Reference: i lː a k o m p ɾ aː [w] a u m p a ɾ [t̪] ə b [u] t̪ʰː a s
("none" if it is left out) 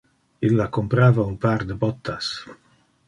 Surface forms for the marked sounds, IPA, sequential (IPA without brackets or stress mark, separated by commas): v, d̪, ɔ